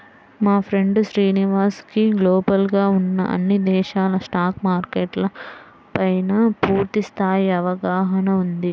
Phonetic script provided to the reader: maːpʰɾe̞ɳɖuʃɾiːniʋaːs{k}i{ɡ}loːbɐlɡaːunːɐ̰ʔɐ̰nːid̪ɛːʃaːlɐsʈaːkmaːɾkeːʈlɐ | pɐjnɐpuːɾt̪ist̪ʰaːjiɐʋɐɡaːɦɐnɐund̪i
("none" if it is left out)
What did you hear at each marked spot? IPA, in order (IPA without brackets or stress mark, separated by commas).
k, ɡ